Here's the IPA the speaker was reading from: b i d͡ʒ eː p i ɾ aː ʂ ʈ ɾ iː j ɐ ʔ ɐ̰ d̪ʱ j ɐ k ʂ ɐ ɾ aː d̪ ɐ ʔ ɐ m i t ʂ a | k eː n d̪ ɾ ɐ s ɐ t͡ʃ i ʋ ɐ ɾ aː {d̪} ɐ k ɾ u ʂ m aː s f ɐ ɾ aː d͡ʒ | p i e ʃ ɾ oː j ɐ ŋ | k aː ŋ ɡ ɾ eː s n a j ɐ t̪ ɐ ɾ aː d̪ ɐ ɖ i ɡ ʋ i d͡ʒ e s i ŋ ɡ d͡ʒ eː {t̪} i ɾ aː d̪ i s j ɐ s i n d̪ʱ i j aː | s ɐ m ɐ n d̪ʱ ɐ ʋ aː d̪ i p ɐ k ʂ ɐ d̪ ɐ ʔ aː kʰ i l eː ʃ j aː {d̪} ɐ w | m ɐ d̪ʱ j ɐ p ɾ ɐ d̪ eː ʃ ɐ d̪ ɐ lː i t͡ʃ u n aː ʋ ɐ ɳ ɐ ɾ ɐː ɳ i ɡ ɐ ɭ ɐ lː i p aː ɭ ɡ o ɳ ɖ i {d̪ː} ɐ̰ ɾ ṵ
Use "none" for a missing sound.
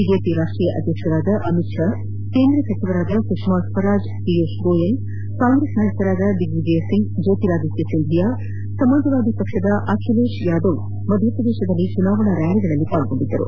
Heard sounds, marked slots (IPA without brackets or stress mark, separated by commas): d̪, t̪, d̪, d̪ː